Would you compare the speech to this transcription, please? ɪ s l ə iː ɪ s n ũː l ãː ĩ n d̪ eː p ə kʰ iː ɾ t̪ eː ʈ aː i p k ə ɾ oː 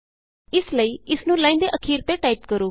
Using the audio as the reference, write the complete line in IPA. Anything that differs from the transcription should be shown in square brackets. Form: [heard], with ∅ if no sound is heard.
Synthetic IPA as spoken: ɪ s l ə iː ɪ s n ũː l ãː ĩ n d̪ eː [ʔ] ə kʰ iː ɾ t̪ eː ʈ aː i p k ə ɾ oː